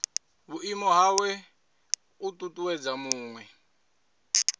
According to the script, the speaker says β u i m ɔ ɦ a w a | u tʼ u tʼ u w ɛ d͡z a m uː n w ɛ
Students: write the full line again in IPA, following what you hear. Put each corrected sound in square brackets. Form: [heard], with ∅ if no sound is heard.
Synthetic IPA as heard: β u i m ɔ ɦ a w [ɛ] | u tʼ u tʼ u w ɛ d͡z a m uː [ŋ] w ɛ